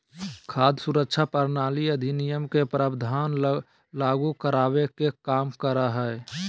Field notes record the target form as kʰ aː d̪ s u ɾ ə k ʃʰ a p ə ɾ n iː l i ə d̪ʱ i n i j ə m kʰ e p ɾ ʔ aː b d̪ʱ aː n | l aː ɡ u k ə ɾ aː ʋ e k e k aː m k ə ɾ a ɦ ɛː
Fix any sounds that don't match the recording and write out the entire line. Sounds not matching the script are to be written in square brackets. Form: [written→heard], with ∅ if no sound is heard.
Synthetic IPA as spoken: kʰ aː d̪ s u ɾ ə k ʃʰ a p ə ɾ n [iː→aː] l i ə d̪ʱ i n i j ə m [kʰ→k] e p ɾ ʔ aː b d̪ʱ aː n | l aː ɡ u k ə ɾ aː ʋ e k e k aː m k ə ɾ a ɦ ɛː